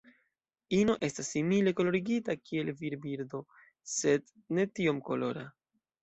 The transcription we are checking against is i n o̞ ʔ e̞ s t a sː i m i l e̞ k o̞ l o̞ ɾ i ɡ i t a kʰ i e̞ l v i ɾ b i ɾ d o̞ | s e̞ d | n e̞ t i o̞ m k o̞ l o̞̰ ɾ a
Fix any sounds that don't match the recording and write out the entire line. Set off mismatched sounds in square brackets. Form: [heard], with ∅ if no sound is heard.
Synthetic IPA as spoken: i n o̞ ʔ e̞ s t a sː i m i l e̞ k o̞ l o̞ ɾ i ɡ i t a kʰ i e̞ l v i ɾ b i ɾ d o̞ | s e̞ d | n e̞ t i o̞ m k o̞ l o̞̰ ɾ a